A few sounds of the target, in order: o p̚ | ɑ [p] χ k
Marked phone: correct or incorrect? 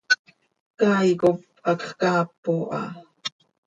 incorrect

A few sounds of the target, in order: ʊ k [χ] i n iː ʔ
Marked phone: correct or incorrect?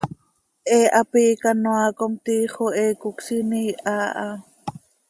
incorrect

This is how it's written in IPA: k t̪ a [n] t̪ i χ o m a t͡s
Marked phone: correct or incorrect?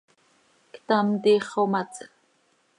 incorrect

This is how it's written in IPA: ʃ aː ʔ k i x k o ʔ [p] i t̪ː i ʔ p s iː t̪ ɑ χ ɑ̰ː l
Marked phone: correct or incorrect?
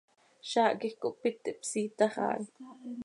correct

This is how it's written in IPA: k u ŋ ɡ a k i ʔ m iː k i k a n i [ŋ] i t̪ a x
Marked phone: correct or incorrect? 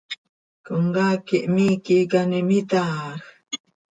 incorrect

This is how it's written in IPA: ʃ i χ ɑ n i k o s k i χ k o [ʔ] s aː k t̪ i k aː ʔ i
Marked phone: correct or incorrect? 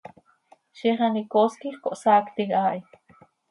correct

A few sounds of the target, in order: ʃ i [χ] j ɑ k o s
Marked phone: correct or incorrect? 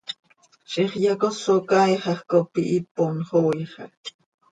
correct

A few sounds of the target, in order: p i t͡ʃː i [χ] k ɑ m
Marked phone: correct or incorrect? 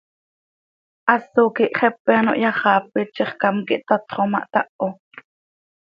correct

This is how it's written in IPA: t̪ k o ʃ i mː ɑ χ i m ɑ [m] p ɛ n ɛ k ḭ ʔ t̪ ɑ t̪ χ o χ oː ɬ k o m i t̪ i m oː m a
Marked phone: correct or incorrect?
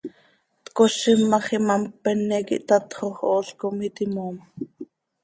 correct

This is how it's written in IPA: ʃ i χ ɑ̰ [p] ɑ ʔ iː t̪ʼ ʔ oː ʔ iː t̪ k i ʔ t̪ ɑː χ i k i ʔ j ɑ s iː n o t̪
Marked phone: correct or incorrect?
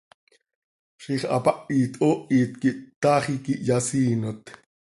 correct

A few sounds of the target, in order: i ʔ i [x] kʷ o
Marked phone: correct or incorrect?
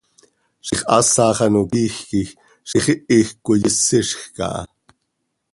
correct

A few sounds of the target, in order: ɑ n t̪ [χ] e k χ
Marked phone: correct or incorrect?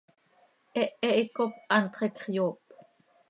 correct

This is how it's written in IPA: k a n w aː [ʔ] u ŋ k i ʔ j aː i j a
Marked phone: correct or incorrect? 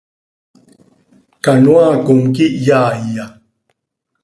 incorrect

